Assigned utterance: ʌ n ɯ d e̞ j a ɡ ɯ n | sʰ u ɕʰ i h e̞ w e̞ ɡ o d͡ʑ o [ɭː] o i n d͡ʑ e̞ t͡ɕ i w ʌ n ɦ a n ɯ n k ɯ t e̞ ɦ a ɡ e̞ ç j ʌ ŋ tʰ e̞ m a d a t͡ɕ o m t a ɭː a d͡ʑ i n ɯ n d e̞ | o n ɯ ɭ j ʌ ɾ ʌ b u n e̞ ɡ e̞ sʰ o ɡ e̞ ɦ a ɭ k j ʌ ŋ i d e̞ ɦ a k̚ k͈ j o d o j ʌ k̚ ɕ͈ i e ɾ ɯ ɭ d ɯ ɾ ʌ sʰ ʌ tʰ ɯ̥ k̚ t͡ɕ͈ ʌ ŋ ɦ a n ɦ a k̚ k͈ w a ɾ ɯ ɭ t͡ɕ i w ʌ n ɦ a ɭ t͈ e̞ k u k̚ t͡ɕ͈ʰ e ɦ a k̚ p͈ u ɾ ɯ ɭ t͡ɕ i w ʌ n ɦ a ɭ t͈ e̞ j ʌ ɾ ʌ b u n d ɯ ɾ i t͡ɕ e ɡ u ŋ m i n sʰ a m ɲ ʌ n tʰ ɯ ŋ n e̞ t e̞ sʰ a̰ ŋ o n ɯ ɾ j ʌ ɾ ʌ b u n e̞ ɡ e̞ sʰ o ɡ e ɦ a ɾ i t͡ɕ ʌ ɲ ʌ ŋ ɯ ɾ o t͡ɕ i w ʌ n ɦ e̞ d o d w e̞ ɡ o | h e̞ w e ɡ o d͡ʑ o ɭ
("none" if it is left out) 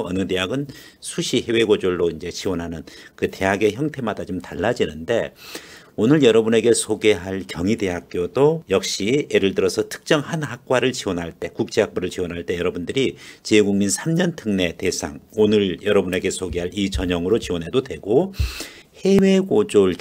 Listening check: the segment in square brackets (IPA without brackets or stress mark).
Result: ɭː